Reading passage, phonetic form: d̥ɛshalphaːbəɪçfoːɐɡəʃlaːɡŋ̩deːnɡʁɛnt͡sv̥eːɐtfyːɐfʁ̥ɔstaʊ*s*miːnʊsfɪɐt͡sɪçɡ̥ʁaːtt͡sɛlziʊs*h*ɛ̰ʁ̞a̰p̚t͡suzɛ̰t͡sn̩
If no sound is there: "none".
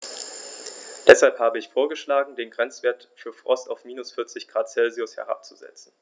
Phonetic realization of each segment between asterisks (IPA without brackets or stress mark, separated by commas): f, h